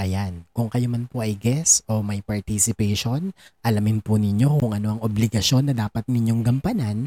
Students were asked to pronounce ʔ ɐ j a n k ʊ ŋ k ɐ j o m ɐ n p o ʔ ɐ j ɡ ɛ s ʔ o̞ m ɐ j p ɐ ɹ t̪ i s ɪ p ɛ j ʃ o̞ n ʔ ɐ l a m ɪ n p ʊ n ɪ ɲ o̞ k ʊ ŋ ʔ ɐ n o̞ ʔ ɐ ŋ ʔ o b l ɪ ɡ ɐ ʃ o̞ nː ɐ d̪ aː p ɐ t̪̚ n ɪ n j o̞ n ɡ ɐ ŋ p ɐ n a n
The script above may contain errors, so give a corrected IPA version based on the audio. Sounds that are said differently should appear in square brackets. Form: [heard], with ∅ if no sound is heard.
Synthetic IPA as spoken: ʔ ɐ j a n k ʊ ŋ k ɐ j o m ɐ n p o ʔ ɐ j ɡ ɛ s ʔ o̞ m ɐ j p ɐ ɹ t̪ i s ɪ p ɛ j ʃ o̞ n ʔ ɐ l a m ɪ n p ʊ n ɪ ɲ o̞ k ʊ ŋ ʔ ɐ n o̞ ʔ ɐ ŋ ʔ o b l ɪ ɡ ɐ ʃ o̞ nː ɐ d̪ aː p ɐ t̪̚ n ɪ [ɲ] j o̞ [ŋ] ɡ ɐ [m] p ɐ n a n